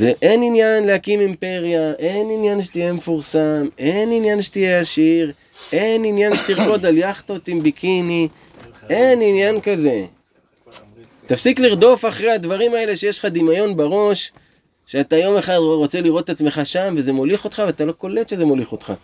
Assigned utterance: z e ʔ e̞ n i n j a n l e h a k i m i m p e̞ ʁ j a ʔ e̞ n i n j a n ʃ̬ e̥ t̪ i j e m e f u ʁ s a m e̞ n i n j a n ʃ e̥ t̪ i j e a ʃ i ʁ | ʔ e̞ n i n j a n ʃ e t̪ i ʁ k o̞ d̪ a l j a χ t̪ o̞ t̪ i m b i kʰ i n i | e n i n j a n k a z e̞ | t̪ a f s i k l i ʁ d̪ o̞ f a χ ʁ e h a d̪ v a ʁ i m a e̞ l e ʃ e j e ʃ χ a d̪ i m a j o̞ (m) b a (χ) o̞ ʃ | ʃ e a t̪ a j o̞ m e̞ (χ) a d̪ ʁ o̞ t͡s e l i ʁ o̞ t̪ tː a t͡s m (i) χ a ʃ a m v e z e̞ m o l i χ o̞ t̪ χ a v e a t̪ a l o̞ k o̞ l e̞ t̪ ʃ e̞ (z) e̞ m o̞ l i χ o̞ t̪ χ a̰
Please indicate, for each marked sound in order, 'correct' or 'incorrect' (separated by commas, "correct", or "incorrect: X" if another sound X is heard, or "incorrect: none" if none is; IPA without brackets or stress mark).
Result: incorrect: n, incorrect: ʁ, correct, incorrect: e, correct